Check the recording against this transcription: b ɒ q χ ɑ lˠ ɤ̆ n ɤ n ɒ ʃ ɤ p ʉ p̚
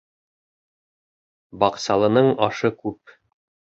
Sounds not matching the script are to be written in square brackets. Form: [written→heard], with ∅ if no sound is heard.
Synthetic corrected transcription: b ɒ q [χ→s] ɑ lˠ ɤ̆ n ɤ [n→ɴ] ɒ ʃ ɤ [p→k] ʉ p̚